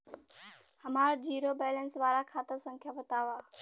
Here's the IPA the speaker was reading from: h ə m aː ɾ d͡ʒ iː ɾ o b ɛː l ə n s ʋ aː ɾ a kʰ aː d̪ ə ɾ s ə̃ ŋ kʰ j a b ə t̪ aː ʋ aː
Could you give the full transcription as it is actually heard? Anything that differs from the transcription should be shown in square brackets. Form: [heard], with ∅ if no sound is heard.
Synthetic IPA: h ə m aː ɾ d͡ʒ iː ɾ o b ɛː l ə n s ʋ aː ɾ a kʰ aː [t̪] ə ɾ s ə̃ ŋ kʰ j a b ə t̪ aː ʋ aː